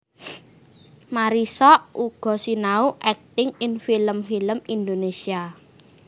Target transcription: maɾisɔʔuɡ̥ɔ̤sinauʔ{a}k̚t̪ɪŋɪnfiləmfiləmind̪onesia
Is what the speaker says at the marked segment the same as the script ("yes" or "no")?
no